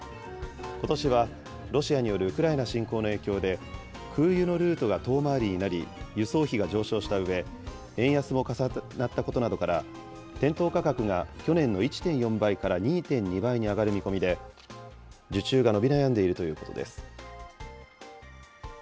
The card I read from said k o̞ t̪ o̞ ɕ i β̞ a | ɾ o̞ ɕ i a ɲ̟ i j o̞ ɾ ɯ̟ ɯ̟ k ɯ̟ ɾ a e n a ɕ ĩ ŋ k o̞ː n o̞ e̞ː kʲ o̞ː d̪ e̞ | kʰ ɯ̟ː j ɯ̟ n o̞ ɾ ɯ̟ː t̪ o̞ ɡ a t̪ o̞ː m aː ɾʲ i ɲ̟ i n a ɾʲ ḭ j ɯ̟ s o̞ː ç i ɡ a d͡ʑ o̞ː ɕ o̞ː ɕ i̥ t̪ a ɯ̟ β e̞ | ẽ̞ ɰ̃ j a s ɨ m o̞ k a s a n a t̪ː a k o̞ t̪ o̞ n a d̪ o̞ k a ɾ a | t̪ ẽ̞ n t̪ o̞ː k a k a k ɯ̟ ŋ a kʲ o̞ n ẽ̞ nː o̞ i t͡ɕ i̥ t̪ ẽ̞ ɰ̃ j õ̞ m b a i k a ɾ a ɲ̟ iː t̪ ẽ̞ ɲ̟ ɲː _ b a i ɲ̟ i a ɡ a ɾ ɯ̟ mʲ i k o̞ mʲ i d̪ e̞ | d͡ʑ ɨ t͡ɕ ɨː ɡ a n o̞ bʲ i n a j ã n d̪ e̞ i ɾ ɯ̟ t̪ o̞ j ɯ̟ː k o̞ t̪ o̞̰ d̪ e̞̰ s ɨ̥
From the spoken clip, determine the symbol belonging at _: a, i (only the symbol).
i